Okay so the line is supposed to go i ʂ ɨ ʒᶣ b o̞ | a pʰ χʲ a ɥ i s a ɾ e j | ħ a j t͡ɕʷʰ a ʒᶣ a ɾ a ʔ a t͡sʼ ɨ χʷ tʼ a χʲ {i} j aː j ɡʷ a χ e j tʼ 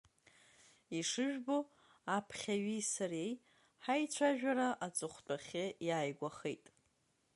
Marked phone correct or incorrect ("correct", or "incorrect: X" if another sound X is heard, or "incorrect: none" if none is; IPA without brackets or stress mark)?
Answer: incorrect: ɪ